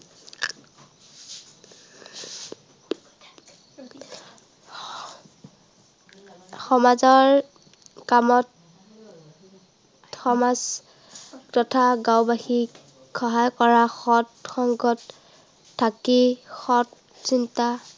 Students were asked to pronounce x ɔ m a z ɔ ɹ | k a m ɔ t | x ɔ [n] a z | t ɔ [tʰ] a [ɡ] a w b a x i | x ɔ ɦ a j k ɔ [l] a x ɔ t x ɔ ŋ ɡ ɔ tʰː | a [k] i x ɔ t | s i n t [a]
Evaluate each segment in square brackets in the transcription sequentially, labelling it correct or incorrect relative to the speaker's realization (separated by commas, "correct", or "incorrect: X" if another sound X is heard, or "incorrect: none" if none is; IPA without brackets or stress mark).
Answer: incorrect: m, correct, correct, incorrect: ɹ, correct, correct